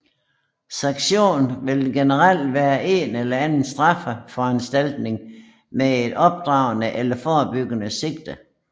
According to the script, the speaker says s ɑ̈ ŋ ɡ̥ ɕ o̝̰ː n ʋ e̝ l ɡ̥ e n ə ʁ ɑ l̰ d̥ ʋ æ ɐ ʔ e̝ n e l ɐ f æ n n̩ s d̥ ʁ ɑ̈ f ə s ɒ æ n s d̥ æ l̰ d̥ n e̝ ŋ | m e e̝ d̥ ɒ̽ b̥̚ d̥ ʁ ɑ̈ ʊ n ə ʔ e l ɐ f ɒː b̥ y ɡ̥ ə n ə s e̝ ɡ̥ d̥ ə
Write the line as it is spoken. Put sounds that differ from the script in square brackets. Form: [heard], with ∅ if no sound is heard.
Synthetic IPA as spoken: s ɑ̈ ŋ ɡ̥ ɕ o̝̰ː n ʋ e̝ l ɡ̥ e n ə ʁ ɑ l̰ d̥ ʋ [æː] ɐ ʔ e̝ n e l ɐ [∅] æ n n̩ s d̥ ʁ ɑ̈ f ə [f] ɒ æ n s d̥ æ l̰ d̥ n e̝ ŋ | m e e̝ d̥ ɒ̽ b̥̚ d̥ ʁ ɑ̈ ʊ n ə ʔ e l ɐ f ɒː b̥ y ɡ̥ ə n ə s e̝ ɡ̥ d̥ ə